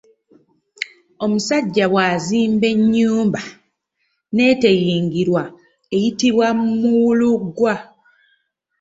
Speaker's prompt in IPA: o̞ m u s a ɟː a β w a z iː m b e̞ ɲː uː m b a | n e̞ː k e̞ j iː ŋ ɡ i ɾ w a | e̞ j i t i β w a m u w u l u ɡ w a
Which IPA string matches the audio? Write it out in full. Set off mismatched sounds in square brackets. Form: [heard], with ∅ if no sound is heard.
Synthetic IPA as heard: o̞ m u s a ɟː a β w a z iː m b e̞ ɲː uː m b a | n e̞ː [t] e̞ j iː ŋ ɡ i ɾ w a | e̞ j i t i β w a m u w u l u ɡ w a